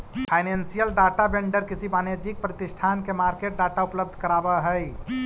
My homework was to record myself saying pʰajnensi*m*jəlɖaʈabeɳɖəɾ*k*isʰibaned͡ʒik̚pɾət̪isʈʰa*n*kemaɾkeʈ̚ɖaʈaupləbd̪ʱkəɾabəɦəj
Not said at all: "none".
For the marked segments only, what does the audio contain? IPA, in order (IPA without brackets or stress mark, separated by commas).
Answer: none, k, n